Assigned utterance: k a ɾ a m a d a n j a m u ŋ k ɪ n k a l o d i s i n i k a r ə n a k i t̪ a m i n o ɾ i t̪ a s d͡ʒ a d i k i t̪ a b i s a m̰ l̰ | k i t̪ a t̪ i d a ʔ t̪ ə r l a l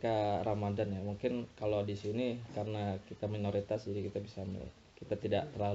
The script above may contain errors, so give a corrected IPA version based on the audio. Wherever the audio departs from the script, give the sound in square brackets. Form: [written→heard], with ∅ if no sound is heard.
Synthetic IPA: k a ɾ a m a d a n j a m u ŋ k ɪ n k a l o d i s i n i k a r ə n a k i t̪ a m i n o ɾ i t̪ a s d͡ʒ a d i k i t̪ a b i s a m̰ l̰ | k i t̪ a t̪ i d a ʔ t̪ ə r l a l